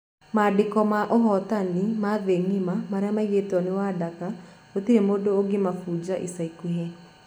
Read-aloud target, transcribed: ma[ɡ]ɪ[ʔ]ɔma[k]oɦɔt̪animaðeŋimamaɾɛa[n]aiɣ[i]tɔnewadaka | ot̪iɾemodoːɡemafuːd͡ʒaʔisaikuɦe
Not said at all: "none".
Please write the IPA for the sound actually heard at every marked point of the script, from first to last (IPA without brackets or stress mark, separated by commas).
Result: d, k, ʔ, m, e